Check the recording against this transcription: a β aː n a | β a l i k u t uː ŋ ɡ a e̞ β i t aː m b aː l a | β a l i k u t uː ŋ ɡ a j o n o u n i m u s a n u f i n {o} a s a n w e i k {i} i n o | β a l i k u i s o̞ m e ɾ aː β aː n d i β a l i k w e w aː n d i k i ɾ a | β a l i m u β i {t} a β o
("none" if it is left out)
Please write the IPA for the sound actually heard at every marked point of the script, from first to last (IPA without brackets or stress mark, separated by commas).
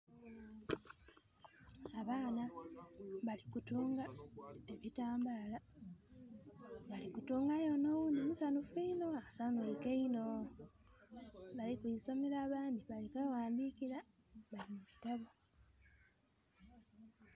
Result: o, e, t